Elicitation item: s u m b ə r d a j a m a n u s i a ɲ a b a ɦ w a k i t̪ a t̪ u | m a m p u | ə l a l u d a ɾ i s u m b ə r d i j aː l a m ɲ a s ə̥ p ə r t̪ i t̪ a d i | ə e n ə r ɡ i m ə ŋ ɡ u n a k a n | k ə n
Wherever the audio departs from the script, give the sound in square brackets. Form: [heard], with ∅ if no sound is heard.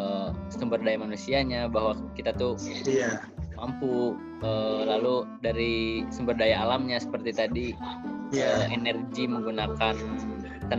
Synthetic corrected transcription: s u m b ə r d a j a m a n u s i a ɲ a b a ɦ w a k i t̪ a t̪ u | m a m p u | ə l a l u d a ɾ i s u m b ə r d [a] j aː l a m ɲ a s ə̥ p ə r t̪ i t̪ a d i | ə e n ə r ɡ i m ə ŋ ɡ u n a k a n | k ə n